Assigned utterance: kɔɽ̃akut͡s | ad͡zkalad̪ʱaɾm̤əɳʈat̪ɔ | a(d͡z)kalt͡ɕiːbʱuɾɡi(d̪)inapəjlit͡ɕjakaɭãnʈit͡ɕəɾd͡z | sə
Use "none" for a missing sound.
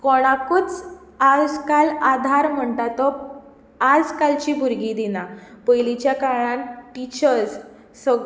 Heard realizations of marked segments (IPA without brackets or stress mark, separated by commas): d͡z, d̪